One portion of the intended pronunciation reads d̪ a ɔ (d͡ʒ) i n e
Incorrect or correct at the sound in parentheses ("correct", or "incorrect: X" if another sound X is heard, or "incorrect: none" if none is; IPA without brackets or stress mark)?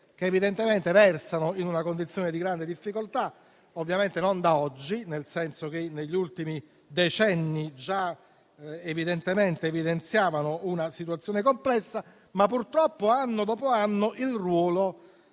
incorrect: d͡ʒː